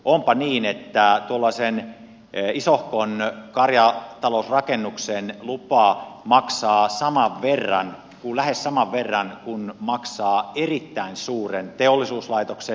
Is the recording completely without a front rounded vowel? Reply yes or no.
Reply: yes